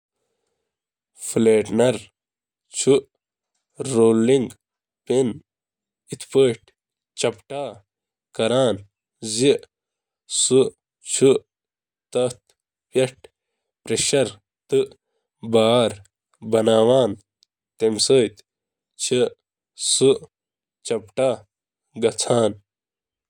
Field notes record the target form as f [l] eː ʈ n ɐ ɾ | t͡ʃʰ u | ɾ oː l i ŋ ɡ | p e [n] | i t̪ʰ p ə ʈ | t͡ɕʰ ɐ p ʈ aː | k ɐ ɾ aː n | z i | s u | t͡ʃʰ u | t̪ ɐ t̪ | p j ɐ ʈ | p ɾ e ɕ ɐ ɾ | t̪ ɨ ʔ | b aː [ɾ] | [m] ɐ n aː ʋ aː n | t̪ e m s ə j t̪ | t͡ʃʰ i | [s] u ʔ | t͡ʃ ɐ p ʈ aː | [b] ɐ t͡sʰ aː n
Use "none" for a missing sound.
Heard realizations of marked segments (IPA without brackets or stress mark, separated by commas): l, n, ɾ, b, s, ɡ